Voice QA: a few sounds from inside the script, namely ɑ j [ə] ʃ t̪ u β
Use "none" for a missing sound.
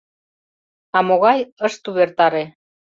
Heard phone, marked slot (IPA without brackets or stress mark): ə